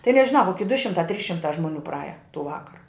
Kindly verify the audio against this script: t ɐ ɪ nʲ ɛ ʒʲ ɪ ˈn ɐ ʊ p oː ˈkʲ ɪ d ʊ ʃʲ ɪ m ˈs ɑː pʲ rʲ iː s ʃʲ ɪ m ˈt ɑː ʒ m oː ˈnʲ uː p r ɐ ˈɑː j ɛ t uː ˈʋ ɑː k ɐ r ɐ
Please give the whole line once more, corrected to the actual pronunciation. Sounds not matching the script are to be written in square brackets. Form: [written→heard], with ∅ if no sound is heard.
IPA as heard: t ɐ ɪ nʲ ɛ ʒʲ ɪ ˈn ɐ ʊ [p→k] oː ˈkʲ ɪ d ʊ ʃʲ ɪ m [ˈs→ˈt] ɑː [pʲ→tʲ] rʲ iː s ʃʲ ɪ m ˈt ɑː ʒ m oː ˈnʲ uː p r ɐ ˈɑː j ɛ t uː ˈʋ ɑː k ɐ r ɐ